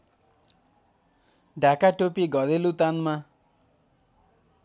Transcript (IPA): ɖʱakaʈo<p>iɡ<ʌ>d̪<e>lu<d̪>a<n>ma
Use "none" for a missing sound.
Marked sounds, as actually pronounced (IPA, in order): p, ʌ, e, t̪, n

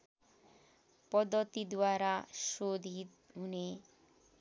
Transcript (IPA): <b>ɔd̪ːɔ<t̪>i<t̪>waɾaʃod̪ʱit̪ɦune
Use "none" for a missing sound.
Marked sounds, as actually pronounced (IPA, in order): p, t̪, d̪

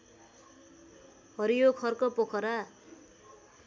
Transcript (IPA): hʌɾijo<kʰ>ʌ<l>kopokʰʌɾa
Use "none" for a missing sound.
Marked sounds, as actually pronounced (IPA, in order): kʰ, r

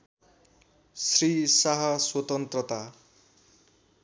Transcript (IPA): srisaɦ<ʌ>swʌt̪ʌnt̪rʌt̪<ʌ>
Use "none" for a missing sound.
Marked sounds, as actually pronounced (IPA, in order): ʌ, a

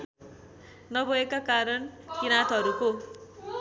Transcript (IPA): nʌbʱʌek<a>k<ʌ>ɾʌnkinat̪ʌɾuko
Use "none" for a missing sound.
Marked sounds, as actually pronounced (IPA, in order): a, a

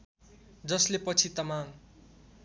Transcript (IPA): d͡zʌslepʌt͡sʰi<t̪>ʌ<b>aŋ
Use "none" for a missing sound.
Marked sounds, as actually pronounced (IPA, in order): t̪, m

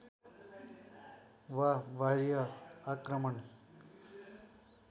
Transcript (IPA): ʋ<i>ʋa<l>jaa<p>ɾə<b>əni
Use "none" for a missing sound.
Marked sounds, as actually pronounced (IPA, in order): a, ɾ, k, m

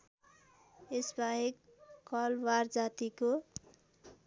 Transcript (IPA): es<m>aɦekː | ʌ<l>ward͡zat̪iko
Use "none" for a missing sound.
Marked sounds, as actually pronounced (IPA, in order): b, l

